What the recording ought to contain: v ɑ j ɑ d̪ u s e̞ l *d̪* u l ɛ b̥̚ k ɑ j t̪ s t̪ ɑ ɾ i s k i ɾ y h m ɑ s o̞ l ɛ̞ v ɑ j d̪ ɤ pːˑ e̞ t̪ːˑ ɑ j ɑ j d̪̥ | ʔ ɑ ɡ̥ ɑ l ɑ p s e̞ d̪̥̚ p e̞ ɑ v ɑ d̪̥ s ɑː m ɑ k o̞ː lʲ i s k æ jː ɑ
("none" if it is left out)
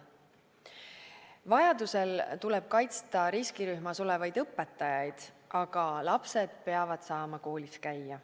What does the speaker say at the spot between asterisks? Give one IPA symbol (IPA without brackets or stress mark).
t̪